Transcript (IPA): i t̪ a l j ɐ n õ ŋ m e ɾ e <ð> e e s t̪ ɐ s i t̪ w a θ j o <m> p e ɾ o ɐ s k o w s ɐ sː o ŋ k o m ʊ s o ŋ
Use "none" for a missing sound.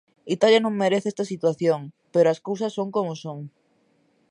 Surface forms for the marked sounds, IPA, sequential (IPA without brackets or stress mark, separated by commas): θ, ŋ